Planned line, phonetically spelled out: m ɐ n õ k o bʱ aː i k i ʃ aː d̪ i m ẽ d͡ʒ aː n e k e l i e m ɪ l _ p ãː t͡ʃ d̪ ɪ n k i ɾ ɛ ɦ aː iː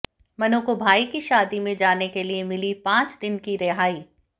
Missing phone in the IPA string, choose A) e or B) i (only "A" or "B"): B